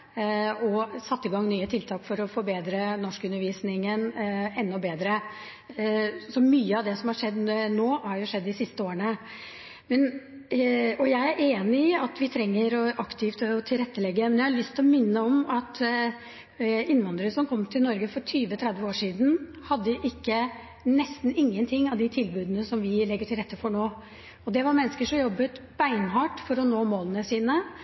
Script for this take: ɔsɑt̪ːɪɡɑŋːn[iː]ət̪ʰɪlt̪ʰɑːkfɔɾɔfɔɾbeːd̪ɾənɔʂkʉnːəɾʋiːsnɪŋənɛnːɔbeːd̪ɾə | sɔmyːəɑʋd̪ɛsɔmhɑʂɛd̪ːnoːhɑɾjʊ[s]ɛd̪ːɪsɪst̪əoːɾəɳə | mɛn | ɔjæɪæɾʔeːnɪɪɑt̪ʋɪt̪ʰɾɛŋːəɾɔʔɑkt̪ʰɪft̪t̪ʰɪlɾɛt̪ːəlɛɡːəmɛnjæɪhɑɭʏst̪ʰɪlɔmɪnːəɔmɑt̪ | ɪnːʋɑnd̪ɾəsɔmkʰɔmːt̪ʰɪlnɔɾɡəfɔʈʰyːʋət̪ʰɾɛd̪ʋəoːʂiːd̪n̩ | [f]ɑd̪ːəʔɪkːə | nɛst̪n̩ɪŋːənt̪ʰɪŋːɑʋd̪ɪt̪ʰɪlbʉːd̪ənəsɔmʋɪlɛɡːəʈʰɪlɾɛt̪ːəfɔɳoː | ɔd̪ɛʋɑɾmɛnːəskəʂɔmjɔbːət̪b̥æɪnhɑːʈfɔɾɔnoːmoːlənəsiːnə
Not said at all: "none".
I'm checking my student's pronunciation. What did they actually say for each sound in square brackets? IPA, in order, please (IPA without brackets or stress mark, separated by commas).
yː, ʂ, h